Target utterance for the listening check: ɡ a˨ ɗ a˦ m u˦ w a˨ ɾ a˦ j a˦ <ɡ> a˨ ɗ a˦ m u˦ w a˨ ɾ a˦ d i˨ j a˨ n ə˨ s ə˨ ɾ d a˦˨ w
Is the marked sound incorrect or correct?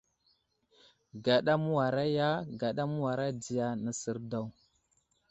correct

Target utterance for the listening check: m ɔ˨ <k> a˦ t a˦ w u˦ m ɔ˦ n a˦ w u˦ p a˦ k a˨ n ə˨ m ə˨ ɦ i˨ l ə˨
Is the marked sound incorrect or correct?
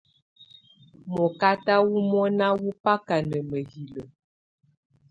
correct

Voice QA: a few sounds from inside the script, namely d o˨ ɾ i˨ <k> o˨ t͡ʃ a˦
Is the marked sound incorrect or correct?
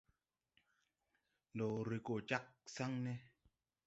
correct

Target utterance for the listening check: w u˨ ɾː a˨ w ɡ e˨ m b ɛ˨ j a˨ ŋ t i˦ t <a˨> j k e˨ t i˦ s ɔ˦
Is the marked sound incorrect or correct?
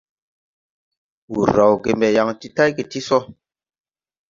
incorrect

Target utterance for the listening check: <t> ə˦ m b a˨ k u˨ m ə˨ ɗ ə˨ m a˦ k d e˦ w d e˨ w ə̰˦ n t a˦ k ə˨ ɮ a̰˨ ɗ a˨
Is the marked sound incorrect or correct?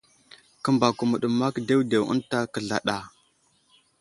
incorrect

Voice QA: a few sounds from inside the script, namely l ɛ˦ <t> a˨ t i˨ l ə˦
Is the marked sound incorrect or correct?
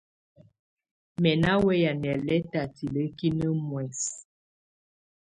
correct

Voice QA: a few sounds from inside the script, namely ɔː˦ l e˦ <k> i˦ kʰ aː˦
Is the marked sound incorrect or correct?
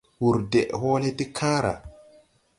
incorrect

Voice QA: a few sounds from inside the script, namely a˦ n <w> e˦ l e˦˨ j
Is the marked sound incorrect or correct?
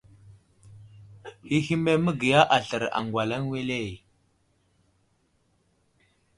correct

